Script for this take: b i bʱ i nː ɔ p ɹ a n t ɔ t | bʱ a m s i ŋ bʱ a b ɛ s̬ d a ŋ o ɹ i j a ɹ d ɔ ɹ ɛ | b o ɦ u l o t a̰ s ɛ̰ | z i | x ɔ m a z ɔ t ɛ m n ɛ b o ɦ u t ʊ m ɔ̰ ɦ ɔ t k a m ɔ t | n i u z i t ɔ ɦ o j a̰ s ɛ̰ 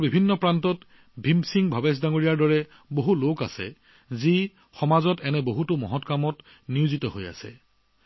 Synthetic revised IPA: b i bʱ i nː ɔ p ɹ a n t ɔ t | bʱ i m s i ŋ bʱ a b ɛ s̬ d a ŋ o ɹ i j a ɹ d ɔ ɹ ɛ | b o ɦ u l o k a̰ s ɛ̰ | z i | x ɔ m a z ɔ t ɛ n ɛ b o ɦ u t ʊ m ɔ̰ ɦ ɔ t k a m ɔ t | n i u z i t ɔ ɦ o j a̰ s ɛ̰